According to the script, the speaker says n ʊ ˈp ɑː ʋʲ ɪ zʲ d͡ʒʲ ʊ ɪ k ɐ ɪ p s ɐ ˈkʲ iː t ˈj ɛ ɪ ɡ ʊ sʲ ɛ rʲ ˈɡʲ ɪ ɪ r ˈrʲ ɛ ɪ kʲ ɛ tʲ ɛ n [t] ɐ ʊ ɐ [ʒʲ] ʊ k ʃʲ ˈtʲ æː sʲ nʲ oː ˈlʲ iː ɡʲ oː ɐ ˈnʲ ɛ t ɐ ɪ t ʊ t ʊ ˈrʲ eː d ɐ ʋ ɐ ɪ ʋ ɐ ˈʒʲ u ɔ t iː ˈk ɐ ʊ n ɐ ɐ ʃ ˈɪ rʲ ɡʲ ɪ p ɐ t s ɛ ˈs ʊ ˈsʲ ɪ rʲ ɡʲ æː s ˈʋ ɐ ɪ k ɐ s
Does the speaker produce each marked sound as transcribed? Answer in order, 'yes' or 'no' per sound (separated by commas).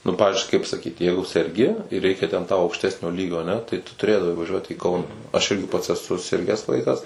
yes, no